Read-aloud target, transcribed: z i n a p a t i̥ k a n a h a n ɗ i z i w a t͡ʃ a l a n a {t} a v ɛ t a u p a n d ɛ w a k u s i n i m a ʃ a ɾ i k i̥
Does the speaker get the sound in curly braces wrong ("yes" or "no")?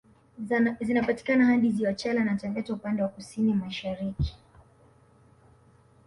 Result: no